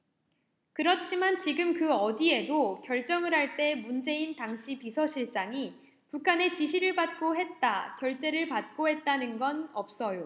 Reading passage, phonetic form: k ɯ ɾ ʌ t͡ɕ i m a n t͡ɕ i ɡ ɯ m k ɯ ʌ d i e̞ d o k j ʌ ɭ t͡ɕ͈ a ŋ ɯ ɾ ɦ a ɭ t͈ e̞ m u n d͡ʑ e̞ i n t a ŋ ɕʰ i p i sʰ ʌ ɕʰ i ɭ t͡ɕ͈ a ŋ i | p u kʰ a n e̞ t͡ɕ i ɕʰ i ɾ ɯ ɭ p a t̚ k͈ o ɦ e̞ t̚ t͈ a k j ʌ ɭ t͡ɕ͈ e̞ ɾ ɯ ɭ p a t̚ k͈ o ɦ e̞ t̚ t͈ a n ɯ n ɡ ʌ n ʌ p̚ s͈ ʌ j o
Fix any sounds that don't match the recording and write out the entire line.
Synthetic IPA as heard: k ɯ ɾ ʌ t͡ɕʰ i m a n t͡ɕ i ɡ ɯ m k ɯ ʌ d i e̞ d o k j ʌ ɭ t͡ɕ͈ ʌ ŋ ɯ ɾ ɦ a ɭ t͈ e̞ m u n d͡ʑ e̞ i n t a ŋ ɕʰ i p i sʰ ʌ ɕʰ i ɭ t͡ɕ͈ a ŋ i | p u kʰ a n e̞ t͡ɕ i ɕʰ i ɾ ɯ ɭ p a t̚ k͈ o ɦ e̞ t̚ t͈ a k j ʌ ɭ t͡ɕ͈ e̞ ɾ ɯ ɭ p a t̚ k͈ o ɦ e̞ t̚ t͈ a n ɯ n ɡ ʌ n ʌ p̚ s͈ ʌ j o